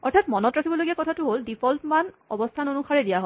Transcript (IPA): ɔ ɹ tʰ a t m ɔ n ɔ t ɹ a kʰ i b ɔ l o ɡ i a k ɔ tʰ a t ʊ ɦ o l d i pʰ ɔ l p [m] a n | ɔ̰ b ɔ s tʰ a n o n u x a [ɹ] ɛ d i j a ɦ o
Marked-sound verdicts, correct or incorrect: correct, correct

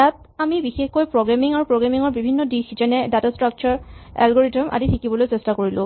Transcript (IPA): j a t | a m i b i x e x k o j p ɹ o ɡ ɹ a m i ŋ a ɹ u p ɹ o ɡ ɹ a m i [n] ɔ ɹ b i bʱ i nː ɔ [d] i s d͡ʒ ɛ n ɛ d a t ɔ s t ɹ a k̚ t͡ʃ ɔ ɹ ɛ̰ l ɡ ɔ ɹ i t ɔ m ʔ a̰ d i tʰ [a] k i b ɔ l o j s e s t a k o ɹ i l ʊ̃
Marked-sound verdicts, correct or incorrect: incorrect, correct, incorrect

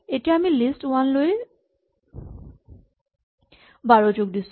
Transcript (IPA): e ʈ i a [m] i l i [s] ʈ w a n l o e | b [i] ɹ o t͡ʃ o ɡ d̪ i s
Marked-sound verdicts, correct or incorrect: correct, correct, incorrect

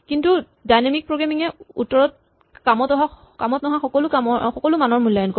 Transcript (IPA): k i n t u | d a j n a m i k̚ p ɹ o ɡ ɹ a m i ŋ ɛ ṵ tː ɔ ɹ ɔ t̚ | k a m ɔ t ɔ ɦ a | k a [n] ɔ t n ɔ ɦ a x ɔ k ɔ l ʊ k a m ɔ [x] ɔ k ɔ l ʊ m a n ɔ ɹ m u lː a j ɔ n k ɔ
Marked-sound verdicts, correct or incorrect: incorrect, correct

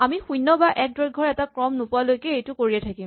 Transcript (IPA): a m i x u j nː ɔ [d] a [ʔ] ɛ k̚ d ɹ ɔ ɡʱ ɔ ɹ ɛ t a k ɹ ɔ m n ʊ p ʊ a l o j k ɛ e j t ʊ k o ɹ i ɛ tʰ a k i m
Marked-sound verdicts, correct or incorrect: incorrect, correct

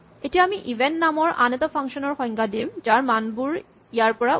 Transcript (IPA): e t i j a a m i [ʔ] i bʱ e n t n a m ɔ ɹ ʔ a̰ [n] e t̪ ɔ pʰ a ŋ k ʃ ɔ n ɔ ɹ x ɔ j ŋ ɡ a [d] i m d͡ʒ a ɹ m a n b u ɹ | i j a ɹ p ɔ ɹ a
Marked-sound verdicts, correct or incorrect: correct, correct, correct

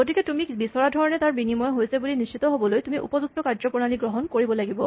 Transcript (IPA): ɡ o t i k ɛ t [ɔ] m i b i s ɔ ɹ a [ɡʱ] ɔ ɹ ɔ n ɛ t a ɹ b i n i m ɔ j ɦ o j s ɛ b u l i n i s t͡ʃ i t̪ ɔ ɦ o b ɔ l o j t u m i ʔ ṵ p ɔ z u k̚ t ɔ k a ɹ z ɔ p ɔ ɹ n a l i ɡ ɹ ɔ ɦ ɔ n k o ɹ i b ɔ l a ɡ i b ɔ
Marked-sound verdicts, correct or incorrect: incorrect, incorrect

